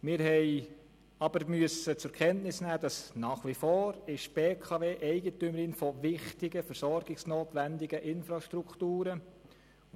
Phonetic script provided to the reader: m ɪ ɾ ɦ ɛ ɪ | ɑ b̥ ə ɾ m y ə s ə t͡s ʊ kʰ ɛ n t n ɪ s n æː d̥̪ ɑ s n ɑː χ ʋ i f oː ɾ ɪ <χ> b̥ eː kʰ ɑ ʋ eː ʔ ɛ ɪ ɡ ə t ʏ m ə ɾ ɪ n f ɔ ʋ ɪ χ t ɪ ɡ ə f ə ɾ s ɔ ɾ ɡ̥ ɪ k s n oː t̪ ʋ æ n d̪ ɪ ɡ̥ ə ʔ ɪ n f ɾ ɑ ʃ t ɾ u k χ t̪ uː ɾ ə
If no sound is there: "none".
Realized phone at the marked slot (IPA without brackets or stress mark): ʃ